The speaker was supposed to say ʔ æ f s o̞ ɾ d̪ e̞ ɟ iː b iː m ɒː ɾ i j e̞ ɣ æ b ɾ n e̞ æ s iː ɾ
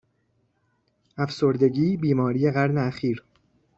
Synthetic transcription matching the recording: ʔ æ f s o̞ ɾ d̪ e̞ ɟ iː b iː m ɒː ɾ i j e̞ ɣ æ ɾ n e̞ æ x iː ɾ

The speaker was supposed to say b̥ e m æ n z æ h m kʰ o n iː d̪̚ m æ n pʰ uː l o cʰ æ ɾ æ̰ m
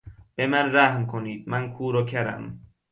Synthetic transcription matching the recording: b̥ e m æ n z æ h m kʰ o n iː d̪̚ m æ n kʰ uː ɾ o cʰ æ ɾ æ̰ m

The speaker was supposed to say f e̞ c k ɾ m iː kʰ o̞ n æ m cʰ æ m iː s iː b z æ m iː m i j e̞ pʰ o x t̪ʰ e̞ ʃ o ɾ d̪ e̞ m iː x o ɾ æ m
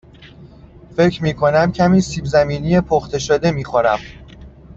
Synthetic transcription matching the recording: f e̞ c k ɾ m iː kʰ o̞ n æ m cʰ æ m iː s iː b z æ m iː n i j e̞ pʰ o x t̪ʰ e̞ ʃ o d̪ e̞ m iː x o ɾ æ m

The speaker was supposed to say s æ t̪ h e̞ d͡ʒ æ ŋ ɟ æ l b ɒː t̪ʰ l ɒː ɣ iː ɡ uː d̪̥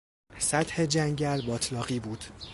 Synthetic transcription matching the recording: s æ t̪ h e̞ d͡ʒ æ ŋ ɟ æ l b ɒː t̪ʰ l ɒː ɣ iː b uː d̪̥

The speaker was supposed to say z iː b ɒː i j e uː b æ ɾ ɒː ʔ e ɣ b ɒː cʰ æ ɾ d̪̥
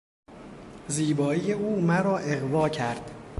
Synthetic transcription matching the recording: z iː b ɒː i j e uː m æ ɾ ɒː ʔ e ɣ v ɒː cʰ æ ɾ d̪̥

